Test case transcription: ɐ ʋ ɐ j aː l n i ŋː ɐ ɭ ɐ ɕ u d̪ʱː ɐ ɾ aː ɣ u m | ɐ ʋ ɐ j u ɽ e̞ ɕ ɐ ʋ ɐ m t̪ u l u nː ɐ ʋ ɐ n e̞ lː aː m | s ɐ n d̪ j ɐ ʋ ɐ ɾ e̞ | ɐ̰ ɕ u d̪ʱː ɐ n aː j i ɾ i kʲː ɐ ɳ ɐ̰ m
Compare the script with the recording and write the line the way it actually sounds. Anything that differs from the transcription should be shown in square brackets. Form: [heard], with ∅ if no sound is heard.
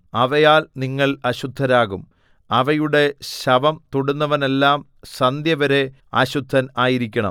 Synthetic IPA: ɐ ʋ ɐ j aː l n i ŋː ɐ ɭ ɐ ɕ u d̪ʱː ɐ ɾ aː ɣ u m | ɐ ʋ ɐ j u ɽ e̞ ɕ ɐ ʋ ɐ m t̪ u [ɽ] u nː ɐ ʋ ɐ n e̞ lː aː m | s ɐ n d̪ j ɐ ʋ ɐ ɾ e̞ | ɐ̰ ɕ u d̪ʱː ɐ n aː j i ɾ i kʲː ɐ ɳ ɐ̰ m